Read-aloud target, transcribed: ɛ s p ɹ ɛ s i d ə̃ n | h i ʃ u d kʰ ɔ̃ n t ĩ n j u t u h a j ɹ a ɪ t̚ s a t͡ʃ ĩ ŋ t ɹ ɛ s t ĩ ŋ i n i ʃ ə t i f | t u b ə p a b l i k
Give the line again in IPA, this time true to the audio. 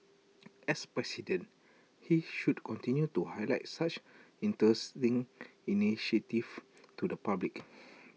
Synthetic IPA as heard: ɛ s p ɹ ɛ s i d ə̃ n | h i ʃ u d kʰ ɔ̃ n t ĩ n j u t u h a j l a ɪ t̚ s a t͡ʃ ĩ n t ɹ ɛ s t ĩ ŋ i n i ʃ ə t i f | t u d ə p a b l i k

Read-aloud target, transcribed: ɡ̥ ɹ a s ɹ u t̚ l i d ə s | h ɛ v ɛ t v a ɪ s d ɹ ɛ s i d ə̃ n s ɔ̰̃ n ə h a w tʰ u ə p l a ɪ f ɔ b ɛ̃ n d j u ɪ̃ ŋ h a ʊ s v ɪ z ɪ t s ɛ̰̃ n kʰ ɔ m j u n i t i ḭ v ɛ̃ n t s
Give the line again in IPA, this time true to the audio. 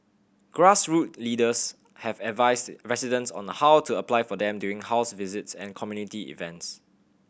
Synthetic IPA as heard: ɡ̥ ɹ a s ɹ u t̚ l i d ə s | h ɛ v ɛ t v a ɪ s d ɹ ɛ s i d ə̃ n s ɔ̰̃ n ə h a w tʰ u ə p l a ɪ f ɔ d ɛ̃ m d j u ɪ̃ ŋ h a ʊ s v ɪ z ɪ t s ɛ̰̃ n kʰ ɔ m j u n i t i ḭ v ɛ̃ n t s

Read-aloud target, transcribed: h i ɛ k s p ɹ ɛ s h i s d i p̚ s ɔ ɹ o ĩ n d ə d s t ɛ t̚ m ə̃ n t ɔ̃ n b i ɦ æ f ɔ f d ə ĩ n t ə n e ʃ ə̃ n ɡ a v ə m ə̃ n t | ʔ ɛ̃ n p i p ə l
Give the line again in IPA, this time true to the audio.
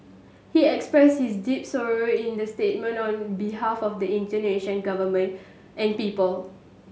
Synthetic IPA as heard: h i ɛ k s p ɹ ɛ s h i s d i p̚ s ɔ ɹ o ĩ n d ə s t e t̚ m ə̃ n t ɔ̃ n b i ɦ a f ɔ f d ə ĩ n t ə n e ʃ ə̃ n ɡ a v ə m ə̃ n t | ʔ ɛ̃ n p i p ə l

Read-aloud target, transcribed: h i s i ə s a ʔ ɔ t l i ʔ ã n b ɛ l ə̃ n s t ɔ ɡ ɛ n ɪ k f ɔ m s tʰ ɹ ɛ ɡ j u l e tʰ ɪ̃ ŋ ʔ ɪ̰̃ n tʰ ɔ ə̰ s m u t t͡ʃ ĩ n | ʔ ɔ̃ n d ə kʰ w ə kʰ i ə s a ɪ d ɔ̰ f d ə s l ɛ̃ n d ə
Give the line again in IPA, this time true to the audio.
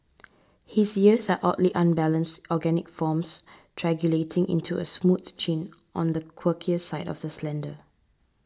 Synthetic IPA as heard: h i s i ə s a ʔ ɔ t l i ʔ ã n b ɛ l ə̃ n s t ɔ ɡ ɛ n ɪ k f ɔ m s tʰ ɹ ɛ ɡ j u l e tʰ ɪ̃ ŋ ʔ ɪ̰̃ n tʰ u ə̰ s m u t t͡ʃ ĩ n | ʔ ɔ̃ n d ə kʰ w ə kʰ i ə s a ɪ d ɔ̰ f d ə s l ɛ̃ n d ə

